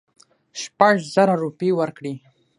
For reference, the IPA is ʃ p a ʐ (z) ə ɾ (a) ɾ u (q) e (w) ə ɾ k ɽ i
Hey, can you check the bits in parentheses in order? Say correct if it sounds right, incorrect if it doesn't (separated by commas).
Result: correct, correct, incorrect, correct